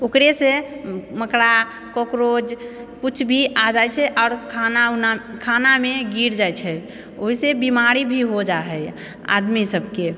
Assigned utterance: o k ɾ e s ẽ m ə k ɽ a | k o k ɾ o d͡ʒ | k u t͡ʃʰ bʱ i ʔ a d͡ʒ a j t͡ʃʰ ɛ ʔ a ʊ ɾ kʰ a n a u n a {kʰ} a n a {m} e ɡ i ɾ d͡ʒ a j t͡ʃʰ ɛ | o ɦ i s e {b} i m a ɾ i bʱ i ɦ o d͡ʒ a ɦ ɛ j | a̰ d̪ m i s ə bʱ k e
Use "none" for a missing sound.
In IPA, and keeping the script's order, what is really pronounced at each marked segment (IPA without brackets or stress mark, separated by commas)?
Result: kʰ, m, b